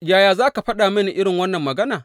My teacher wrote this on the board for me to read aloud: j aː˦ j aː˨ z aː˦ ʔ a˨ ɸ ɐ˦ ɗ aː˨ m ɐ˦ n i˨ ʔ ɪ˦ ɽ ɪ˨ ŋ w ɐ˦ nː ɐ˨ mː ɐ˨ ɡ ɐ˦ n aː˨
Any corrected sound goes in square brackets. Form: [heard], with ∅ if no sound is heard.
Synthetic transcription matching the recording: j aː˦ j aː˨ z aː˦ [k] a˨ ɸ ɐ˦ ɗ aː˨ m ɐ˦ n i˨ ʔ ɪ˦ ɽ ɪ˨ ŋ w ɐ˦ nː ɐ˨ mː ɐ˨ ɡ ɐ˦ n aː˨

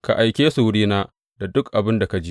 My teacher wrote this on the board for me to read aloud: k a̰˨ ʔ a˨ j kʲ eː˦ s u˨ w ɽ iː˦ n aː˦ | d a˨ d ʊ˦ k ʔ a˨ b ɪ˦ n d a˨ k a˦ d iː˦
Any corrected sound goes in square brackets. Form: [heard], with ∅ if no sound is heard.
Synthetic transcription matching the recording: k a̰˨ ʔ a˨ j kʲ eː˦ s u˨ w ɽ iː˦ n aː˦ | d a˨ d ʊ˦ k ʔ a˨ b ɪ˦ n d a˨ k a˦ [d͡ʒ] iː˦

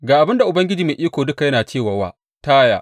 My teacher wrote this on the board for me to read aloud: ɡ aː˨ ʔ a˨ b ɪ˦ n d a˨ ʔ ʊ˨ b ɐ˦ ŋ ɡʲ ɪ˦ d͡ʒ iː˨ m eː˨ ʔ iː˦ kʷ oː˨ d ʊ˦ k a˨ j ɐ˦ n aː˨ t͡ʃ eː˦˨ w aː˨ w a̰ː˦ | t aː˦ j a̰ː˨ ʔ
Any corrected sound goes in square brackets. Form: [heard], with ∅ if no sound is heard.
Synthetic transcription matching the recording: ɡ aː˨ ʔ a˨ b ɪ˦ n d a˨ ʔ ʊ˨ b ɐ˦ ŋ ɡʲ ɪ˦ d͡ʒ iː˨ m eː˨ ʔ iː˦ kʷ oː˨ d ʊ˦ k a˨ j ɐ˦ n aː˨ t͡ʃ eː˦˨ w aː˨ w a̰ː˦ | t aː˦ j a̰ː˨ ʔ

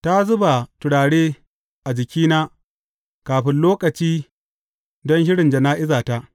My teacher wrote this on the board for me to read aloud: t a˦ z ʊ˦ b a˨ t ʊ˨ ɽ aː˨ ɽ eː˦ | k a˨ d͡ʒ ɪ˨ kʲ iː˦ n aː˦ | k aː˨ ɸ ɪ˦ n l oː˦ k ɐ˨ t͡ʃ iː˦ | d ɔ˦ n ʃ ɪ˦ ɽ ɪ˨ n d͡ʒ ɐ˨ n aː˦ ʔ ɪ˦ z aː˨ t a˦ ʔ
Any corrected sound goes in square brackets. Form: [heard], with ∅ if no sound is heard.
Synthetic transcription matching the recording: t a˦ z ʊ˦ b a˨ t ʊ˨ ɽ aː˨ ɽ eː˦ | [ʔ] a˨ d͡ʒ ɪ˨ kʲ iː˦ n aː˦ | k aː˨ ɸ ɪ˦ n l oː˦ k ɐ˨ t͡ʃ iː˦ | d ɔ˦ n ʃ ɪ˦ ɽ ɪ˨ n d͡ʒ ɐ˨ n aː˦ ʔ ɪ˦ z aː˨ t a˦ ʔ

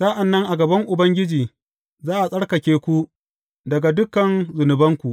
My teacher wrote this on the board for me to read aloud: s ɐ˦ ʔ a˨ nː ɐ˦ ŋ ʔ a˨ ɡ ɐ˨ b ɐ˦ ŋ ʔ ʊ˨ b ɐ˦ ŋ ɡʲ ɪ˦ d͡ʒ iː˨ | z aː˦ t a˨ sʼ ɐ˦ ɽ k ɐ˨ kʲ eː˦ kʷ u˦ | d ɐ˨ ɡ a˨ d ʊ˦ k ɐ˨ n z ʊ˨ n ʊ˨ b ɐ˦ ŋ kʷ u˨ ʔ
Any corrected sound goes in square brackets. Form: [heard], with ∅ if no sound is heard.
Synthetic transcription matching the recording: s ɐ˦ ʔ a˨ nː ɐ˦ ŋ ʔ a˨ ɡ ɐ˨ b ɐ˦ ŋ ʔ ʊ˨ b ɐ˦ ŋ ɡʲ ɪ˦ d͡ʒ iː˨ | z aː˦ [ʔ] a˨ sʼ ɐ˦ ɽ k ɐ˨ kʲ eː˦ kʷ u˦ | d ɐ˨ ɡ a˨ d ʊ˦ k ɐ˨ n z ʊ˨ n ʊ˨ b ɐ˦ ŋ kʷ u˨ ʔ

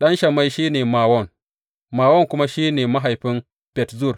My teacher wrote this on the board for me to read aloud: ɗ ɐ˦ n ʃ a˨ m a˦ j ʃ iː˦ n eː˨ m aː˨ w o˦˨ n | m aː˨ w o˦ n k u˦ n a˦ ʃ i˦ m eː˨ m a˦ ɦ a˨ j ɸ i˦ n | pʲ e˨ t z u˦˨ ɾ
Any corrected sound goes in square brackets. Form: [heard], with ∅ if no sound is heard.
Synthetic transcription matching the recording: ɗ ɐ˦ n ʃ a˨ m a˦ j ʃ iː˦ n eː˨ m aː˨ w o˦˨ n | m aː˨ w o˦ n k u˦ [m] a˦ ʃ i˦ [n] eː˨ m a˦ ɦ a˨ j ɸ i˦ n | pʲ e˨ t z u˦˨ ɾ

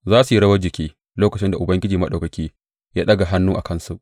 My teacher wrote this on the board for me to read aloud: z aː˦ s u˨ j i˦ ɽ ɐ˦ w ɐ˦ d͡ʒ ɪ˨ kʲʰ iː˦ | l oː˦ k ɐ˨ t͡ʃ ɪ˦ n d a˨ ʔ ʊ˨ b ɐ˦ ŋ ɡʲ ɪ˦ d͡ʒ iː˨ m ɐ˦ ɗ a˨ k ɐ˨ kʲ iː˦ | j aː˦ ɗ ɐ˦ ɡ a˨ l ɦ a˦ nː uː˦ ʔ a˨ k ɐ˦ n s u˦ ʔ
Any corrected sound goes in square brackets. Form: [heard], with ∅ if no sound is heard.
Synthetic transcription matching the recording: z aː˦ s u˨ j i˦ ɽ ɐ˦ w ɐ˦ d͡ʒ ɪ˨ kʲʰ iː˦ | l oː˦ k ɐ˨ t͡ʃ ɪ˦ n d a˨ ʔ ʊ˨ b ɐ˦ ŋ ɡʲ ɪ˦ d͡ʒ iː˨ m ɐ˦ ɗ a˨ k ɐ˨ kʲ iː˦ | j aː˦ ɗ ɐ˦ ɡ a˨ [∅] ɦ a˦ nː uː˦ ʔ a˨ k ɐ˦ n s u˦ ʔ

